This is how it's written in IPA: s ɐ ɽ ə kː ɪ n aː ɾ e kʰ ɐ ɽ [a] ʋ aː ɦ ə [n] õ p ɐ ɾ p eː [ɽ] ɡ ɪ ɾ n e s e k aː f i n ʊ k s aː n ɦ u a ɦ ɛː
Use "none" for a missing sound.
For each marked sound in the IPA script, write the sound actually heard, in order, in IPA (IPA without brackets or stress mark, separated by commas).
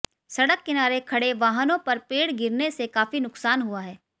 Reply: e, n, ɽ